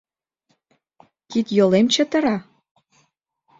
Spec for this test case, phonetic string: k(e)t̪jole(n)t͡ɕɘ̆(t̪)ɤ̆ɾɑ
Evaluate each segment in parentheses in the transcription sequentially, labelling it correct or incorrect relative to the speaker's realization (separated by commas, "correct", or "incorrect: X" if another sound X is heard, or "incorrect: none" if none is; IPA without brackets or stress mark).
incorrect: i, incorrect: m, correct